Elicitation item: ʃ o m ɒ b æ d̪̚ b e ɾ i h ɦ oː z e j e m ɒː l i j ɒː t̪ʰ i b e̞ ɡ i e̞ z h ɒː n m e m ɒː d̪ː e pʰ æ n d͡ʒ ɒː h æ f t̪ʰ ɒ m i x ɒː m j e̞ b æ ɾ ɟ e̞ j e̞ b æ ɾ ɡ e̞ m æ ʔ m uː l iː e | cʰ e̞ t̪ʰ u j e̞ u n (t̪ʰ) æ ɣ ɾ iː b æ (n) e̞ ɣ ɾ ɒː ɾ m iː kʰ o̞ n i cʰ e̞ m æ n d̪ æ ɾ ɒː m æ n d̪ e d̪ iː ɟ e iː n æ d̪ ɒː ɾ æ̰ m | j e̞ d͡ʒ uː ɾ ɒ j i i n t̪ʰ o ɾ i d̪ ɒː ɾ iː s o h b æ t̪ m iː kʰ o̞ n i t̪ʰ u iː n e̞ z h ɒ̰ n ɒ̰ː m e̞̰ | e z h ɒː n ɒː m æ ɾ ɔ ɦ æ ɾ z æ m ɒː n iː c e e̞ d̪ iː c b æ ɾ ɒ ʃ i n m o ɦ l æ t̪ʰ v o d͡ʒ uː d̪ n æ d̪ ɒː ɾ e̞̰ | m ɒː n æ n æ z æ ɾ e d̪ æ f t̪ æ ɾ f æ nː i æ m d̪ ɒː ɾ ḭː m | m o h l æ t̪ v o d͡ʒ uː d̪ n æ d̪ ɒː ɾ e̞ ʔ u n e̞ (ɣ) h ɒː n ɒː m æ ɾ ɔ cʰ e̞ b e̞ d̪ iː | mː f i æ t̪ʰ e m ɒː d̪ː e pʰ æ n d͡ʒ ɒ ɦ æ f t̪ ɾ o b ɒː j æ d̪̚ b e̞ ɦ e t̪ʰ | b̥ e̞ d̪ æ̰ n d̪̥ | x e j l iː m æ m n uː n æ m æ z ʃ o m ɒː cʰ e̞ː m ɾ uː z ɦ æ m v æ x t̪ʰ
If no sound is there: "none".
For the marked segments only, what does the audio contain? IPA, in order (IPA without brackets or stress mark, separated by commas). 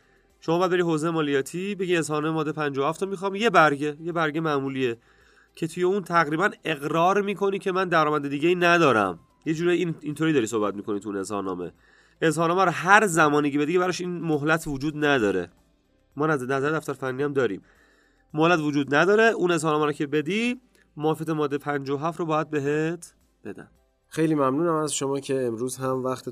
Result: t̪ʰ, n, z